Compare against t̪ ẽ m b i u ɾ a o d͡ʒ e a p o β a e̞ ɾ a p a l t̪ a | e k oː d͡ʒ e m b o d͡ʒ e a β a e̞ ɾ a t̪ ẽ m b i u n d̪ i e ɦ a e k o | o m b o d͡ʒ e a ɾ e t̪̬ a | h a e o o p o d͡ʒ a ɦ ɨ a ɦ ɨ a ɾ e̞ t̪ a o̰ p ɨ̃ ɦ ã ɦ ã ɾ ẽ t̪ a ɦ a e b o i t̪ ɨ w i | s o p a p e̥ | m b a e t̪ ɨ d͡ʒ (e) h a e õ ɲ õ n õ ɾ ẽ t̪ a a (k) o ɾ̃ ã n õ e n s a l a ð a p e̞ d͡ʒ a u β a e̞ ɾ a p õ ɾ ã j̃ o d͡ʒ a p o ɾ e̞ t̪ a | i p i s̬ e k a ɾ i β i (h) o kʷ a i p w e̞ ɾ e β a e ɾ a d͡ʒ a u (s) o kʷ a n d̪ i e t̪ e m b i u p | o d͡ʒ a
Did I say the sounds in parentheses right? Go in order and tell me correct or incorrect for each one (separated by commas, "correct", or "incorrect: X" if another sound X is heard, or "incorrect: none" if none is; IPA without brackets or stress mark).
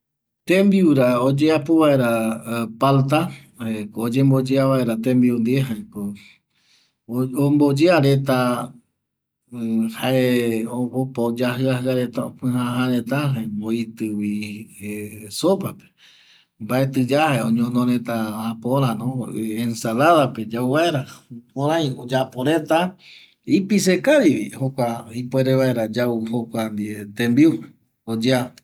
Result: incorrect: a, incorrect: p, correct, incorrect: h